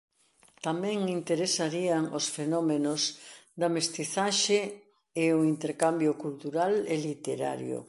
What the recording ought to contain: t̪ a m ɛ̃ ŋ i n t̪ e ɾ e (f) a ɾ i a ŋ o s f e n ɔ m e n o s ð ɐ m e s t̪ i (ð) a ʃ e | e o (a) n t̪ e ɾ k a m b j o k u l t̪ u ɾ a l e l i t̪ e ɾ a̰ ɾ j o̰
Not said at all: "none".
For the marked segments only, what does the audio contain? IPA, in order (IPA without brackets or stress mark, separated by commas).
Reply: s, θ, i